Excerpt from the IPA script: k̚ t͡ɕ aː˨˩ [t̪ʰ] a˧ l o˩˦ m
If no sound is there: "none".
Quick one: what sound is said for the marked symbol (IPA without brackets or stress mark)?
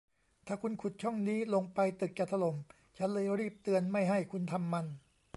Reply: t̪ʰ